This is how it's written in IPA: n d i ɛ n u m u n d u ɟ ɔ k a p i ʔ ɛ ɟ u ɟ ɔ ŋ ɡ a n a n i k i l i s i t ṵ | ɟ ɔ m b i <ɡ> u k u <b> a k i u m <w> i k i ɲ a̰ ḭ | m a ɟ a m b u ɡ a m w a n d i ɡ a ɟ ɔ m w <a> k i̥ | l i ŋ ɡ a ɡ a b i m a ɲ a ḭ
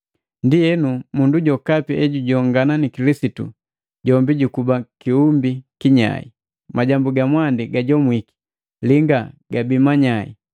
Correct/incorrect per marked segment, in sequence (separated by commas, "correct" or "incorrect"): incorrect, correct, incorrect, incorrect